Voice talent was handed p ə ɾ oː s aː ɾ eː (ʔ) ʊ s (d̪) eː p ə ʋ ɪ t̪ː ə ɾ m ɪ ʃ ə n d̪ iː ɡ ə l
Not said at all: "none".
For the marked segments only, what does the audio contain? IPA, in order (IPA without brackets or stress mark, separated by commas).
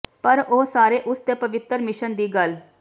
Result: ʔ, t̪